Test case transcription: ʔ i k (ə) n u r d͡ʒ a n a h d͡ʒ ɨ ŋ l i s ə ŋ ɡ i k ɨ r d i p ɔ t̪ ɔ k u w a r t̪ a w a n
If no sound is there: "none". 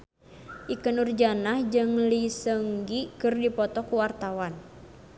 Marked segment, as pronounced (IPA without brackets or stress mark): ə